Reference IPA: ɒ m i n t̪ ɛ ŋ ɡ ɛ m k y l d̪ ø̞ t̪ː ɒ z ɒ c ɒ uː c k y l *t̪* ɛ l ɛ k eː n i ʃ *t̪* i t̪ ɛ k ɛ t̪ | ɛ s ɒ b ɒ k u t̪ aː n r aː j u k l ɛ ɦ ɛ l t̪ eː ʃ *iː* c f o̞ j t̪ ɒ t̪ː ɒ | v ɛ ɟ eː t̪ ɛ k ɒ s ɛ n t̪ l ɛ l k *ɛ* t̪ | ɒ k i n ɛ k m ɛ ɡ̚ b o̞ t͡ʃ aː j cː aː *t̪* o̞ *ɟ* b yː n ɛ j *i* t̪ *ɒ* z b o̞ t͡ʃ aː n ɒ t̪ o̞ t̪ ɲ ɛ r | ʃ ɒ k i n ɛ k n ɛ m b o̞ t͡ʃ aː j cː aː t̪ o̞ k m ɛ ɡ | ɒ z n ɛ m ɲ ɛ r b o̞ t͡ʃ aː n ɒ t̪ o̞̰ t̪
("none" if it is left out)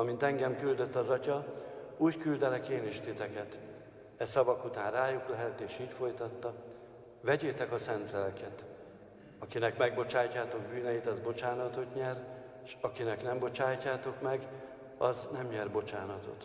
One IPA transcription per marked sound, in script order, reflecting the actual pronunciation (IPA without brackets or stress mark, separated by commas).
d̪, t̪, iː, ɛ, t̪, ɡ, i, ɒ